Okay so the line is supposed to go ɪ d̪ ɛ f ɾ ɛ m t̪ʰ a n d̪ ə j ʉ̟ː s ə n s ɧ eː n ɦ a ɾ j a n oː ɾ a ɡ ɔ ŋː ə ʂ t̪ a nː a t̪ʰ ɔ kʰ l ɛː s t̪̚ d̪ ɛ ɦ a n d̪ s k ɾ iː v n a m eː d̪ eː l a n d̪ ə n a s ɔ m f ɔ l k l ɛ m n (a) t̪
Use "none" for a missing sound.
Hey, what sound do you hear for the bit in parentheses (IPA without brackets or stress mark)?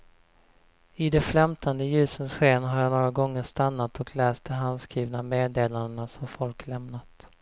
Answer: a